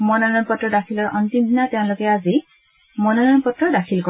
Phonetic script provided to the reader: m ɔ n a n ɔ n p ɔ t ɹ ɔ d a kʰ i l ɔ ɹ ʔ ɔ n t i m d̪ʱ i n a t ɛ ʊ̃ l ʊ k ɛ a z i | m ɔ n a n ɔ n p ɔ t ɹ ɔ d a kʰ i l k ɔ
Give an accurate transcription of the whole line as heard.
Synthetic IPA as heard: m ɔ n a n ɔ n p ɔ t ɹ ɔ d a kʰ i l ɔ ɹ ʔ ɔ n t i m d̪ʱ i n a t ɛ ʊ̃ l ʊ k ɛ a z i | m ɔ n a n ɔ n p ɔ t ɹ ɔ d a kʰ i l k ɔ